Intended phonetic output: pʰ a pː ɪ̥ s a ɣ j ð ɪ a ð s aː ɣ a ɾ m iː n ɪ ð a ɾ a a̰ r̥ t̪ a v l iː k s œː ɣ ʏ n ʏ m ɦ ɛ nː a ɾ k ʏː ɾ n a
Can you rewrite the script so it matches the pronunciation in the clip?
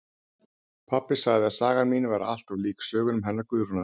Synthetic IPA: pʰ a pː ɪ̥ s a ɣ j ð ɪ a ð s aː ɣ a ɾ m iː n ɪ v a ɾ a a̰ l̥ t̪ a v l iː k s œː ɣ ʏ n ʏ m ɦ ɛ nː a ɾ k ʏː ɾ n a